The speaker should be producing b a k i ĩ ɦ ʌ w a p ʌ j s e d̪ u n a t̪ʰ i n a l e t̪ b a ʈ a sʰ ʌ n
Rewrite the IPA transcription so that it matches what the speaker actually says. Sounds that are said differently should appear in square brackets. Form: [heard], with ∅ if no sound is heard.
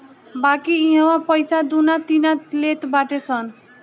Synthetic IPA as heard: b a k i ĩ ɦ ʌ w a p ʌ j s [a] d̪ u n a [t̪] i n a l e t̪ b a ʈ [e] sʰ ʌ n